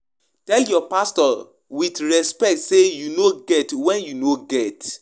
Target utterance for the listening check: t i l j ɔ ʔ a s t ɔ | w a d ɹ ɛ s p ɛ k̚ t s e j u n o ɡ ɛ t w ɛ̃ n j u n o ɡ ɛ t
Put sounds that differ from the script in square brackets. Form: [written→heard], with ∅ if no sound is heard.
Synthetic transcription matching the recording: t [i→ɛ] l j ɔ [ʔ→p] a s t ɔ | w [a→i] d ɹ ɛ s p ɛ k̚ t s e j u n o ɡ ɛ t w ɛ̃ n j u n o ɡ ɛ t